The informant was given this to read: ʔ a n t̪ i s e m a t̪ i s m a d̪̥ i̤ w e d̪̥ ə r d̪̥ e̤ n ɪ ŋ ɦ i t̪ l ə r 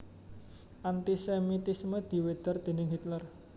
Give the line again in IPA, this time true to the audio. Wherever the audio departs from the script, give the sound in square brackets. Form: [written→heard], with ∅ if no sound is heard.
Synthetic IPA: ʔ a n t̪ i s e m [a→i] t̪ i s m [a→ə] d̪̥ i̤ w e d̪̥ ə r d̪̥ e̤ n ɪ ŋ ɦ i t̪ l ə r